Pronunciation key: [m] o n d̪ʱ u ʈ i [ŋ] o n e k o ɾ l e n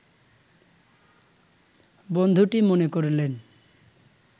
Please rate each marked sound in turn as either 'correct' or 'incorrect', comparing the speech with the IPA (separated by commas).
incorrect, incorrect